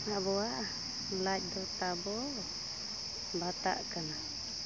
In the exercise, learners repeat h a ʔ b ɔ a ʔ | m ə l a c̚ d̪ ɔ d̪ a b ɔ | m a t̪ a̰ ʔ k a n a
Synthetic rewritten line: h a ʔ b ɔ a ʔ | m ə l a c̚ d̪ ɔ t̪ a b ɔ | b a t̪ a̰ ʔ k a n a